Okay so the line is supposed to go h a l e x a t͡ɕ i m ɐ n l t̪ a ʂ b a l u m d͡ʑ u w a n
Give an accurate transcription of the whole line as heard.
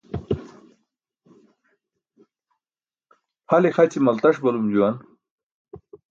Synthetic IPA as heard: h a l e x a t͡ɕ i m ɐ l t̪ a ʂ b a l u m d͡ʑ u w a n